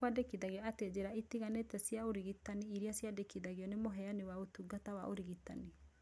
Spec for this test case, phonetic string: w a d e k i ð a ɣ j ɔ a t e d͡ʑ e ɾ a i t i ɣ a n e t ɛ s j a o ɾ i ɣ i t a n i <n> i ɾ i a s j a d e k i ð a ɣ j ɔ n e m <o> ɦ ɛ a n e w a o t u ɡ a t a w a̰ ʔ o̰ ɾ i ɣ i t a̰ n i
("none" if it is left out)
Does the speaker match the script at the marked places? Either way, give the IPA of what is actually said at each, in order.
none, o

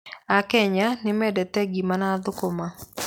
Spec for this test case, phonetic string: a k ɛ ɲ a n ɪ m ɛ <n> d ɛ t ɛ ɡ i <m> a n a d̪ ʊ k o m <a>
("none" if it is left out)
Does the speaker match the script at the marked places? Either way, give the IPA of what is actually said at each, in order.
none, m, a

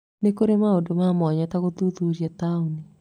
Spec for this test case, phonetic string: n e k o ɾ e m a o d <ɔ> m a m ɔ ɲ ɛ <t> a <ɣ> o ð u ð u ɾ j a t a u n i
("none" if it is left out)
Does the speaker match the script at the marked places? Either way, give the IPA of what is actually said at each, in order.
o, t, ɣ

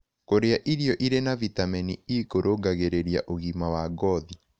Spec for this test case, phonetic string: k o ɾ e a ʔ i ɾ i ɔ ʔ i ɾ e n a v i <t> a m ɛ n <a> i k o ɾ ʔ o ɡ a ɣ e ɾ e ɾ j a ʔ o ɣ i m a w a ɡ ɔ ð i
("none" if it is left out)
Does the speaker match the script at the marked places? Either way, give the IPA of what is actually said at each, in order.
t, i

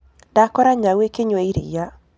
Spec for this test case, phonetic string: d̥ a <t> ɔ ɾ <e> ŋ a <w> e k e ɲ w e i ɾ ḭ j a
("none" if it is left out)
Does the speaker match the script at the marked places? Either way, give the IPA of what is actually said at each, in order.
k, a, w

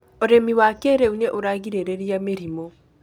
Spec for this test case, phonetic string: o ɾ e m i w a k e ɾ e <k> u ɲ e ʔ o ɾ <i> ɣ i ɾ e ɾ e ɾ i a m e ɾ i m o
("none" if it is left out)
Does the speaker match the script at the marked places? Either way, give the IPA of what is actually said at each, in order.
none, a

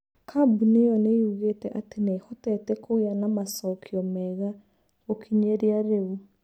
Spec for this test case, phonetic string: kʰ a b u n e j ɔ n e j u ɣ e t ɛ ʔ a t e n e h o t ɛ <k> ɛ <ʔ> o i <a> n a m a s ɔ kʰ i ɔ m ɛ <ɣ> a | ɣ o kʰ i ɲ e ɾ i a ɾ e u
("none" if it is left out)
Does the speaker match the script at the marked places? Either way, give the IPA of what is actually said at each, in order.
t, k, a, ɣ

